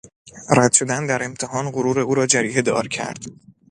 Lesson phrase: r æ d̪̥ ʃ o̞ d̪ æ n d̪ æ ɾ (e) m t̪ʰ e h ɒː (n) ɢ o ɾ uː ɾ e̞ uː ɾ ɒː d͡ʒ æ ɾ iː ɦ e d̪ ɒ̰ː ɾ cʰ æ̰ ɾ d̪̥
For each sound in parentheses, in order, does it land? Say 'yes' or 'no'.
yes, yes

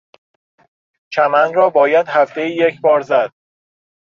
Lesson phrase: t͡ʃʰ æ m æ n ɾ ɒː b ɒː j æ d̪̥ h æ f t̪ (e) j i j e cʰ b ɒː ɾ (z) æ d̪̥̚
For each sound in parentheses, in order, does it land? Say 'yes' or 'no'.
yes, yes

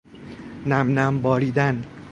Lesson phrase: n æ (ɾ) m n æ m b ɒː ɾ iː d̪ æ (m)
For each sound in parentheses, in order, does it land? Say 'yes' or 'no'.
no, no

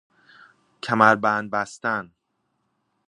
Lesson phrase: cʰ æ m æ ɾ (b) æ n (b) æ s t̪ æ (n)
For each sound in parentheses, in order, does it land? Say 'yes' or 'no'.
yes, yes, yes

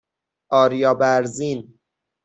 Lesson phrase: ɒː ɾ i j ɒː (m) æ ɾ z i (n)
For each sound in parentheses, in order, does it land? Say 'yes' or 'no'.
no, yes

